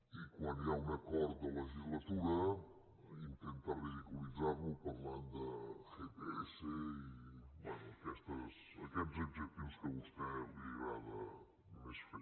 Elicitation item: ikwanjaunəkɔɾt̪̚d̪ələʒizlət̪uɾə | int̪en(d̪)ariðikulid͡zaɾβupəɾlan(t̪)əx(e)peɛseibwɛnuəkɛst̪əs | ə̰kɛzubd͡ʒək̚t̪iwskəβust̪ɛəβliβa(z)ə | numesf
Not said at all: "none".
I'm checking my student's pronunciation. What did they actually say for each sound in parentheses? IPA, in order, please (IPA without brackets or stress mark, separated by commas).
t̪, d̪, e, ð